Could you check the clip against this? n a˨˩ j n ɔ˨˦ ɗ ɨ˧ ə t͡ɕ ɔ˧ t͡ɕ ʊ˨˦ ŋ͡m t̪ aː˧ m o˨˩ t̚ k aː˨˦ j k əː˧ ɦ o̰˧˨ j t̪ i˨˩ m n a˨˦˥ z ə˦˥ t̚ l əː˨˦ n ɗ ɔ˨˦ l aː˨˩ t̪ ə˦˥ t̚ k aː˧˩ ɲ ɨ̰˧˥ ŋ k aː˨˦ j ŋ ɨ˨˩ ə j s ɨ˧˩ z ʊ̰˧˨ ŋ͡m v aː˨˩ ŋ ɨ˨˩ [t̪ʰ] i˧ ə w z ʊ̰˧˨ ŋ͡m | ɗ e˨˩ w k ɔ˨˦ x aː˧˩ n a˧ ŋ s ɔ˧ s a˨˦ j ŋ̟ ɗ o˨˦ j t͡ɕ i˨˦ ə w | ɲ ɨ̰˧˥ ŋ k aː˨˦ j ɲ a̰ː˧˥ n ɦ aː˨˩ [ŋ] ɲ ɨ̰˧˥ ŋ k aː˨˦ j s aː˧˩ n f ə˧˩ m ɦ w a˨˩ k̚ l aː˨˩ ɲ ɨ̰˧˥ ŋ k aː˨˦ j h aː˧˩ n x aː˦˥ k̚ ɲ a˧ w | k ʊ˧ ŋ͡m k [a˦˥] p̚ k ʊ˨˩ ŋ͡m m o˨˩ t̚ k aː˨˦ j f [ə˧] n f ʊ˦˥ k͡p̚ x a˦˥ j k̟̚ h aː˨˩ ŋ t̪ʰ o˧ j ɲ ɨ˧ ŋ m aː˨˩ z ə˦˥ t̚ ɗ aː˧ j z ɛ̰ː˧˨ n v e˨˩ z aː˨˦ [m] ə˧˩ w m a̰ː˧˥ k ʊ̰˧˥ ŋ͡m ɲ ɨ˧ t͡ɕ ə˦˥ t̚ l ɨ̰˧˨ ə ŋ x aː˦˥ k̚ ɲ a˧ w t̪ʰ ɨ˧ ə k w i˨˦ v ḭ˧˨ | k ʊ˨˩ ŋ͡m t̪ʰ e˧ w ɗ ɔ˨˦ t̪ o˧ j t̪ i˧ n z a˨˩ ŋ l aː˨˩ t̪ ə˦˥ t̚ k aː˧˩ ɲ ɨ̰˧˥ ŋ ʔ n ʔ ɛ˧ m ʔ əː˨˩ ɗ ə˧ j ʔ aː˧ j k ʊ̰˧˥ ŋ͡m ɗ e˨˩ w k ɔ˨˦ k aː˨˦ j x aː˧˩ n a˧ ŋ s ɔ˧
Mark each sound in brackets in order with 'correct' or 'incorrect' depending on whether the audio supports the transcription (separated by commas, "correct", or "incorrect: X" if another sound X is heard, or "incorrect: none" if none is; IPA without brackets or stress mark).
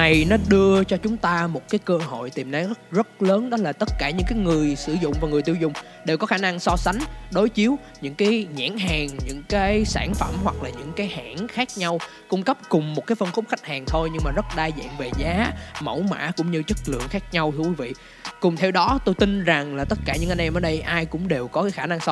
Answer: incorrect: t̪, correct, incorrect: ə˦˥, correct, correct